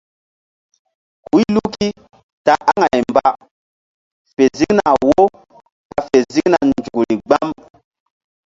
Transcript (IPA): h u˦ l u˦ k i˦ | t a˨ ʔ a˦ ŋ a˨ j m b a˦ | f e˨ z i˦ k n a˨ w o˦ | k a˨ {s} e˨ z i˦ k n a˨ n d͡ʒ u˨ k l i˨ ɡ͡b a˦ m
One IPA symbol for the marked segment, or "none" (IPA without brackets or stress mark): f